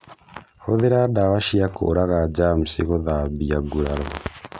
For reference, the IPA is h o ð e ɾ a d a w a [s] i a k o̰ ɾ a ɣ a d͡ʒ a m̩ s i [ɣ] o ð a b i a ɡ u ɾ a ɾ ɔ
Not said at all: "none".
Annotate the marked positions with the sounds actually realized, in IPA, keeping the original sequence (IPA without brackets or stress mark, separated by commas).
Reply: ʃ, ɣ